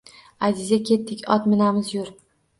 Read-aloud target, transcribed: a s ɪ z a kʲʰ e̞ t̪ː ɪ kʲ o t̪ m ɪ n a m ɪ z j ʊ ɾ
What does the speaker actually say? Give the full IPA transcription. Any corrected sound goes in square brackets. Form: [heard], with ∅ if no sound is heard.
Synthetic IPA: a [z] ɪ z a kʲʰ e̞ t̪ː ɪ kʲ [ɒ] t̪ m ɪ n a m ɪ z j ʊ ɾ